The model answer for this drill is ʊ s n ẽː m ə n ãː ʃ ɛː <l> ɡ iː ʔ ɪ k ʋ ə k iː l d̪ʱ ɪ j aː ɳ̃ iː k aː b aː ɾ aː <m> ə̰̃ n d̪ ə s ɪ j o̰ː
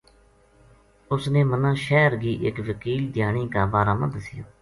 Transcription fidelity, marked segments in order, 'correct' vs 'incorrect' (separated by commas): incorrect, correct